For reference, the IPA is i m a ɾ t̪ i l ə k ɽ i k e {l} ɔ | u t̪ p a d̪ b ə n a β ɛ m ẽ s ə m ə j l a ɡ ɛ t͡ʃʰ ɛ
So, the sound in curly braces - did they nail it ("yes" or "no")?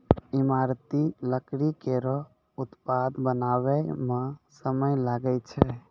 no